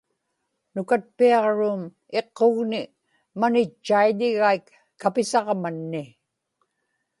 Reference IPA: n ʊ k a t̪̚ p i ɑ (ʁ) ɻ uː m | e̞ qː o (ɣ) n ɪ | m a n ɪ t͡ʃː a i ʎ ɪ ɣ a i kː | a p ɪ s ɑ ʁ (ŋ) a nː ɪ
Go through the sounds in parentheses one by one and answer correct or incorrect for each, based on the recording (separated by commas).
correct, correct, incorrect